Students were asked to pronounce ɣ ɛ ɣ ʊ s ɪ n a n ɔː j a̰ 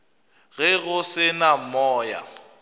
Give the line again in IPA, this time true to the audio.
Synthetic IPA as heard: ɣ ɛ ɣ ʊ s ɪ n a m ɔː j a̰